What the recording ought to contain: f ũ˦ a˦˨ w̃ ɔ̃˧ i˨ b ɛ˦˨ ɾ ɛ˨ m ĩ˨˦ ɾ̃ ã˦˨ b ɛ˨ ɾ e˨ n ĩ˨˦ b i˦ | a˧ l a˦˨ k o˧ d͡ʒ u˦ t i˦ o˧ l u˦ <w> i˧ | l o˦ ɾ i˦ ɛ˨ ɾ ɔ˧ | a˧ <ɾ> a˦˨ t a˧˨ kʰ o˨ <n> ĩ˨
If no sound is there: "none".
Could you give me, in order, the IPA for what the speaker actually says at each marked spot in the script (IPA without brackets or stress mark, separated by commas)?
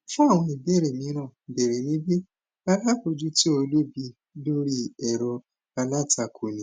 b, l, n